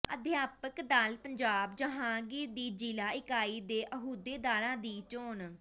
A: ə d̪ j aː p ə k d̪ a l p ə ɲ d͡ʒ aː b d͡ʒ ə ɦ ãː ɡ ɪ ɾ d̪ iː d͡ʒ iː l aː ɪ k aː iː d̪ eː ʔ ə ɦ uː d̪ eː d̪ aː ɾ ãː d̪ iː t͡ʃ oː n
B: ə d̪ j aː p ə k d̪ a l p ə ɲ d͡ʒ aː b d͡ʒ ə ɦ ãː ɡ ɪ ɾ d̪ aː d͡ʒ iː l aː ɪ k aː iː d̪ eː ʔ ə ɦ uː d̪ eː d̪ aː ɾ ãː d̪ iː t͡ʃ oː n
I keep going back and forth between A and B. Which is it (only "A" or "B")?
A